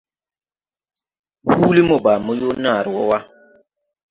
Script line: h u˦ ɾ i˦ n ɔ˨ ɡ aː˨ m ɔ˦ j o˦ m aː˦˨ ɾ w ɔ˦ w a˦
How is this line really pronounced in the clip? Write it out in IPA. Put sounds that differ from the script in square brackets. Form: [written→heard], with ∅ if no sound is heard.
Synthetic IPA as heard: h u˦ [ɾ→l] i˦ [n→m] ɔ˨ [ɡ→b] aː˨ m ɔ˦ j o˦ [m→n] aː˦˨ ɾ w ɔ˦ w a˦